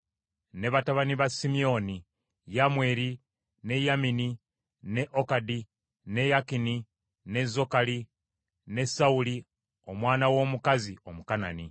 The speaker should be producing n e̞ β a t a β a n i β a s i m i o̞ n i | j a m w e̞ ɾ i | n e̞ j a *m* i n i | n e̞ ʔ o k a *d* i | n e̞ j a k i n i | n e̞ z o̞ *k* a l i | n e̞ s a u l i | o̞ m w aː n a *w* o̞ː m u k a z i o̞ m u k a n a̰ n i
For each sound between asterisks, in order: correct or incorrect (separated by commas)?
correct, correct, correct, correct